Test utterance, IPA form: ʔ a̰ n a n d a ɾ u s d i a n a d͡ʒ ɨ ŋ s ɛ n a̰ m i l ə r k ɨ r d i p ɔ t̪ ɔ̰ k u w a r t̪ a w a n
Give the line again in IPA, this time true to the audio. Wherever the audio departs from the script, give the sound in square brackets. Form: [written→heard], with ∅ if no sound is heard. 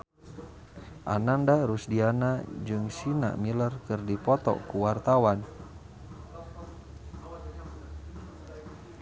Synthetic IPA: ʔ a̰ n a n d a ɾ u s d i a n a d͡ʒ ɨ ŋ s [ɛ→i] n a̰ m i l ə r k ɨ r d i p ɔ t̪ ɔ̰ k u w a r t̪ a w a n